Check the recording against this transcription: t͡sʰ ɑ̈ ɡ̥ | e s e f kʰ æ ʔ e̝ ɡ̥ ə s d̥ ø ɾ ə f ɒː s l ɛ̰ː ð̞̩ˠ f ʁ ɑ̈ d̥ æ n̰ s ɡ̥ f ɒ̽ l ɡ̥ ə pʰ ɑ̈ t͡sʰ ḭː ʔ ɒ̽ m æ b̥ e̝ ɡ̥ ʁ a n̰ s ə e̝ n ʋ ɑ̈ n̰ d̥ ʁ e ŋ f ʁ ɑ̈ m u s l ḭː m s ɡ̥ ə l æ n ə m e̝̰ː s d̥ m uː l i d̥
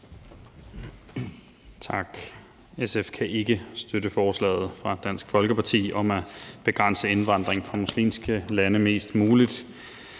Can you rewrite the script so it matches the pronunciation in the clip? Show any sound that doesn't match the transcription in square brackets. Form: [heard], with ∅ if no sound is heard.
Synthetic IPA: t͡sʰ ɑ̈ ɡ̥ | e s e f kʰ æ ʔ e̝ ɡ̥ ə s d̥ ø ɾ ə f ɒː s l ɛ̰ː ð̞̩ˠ f ʁ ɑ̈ d̥ æ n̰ s ɡ̥ f ɒ̽ l ɡ̥ ə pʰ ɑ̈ t͡sʰ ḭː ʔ ɒ̽ m æ b̥ e̝ ɡ̥ ʁ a n̰ s ə e̝ n ʋ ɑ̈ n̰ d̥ ʁ e ŋ f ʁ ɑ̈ m u s l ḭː m s ɡ̥ ə l æ n ə m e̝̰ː s d̥ m uː l i d̥

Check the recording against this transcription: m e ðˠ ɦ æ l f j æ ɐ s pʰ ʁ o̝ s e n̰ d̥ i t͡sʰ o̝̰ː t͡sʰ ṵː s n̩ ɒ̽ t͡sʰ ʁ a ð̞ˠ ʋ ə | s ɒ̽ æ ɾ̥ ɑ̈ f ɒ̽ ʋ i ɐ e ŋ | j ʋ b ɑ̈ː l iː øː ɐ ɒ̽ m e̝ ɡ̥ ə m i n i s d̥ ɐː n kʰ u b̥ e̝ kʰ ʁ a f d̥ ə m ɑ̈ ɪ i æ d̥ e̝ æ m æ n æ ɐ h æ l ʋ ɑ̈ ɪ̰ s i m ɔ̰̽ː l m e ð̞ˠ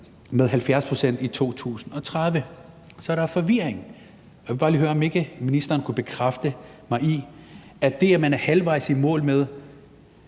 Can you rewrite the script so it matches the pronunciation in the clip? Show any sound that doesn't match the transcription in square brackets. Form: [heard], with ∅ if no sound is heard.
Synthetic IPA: m e ðˠ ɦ æ l f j æ ɐ s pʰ ʁ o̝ s e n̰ d̥ i t͡sʰ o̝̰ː t͡sʰ ṵː s n̩ ɒ̽ t͡sʰ ʁ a ð̞ˠ ʋ ə | s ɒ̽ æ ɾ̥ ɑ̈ f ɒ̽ ʋ i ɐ e ŋ | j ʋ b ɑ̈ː l iː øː ɐ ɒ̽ m e̝ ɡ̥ ə m i n i s d̥ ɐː n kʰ u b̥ e̝ kʰ ʁ a f d̥ ə m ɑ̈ ɪ i æ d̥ e̝ æ m æ n æ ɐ h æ l ʋ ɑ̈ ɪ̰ s i m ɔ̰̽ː l m e ð̞ˠ

